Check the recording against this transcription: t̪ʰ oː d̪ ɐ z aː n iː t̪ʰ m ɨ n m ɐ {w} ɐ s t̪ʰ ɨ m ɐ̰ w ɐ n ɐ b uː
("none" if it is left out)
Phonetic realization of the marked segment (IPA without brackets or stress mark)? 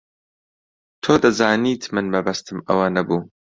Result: b